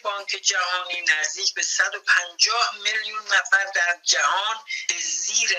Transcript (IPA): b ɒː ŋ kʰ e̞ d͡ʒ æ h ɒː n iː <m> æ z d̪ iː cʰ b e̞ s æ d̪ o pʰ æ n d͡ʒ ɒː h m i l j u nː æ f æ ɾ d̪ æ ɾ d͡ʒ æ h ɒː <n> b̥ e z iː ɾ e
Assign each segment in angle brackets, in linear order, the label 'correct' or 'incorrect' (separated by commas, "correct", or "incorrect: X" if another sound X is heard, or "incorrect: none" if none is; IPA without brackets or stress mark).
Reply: incorrect: n, correct